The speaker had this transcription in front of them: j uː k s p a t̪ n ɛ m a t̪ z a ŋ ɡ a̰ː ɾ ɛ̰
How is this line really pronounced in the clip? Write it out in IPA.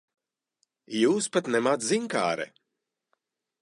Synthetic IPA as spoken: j uː s p a t̪ n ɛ m a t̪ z i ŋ k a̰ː ɾ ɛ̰